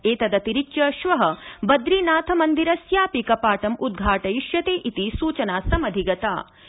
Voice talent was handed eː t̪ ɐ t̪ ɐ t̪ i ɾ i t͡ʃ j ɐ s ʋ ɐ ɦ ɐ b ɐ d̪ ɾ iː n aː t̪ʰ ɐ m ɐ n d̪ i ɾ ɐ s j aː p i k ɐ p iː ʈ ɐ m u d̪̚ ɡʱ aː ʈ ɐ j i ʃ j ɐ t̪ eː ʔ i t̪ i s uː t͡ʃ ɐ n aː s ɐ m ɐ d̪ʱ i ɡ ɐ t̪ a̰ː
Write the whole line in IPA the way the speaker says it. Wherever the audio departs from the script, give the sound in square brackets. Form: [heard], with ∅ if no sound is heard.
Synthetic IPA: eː t̪ ɐ [d̪] ɐ t̪ i ɾ i t͡ʃ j ɐ [ʃ] ʋ ɐ ɦ ɐ b ɐ d̪ ɾ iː n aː t̪ʰ ɐ m ɐ n d̪ i ɾ ɐ s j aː p i k ɐ p [aː] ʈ ɐ m u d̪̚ ɡʱ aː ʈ ɐ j i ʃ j ɐ t̪ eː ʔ i t̪ i s uː t͡ʃ ɐ n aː s ɐ m ɐ d̪ʱ i ɡ ɐ t̪ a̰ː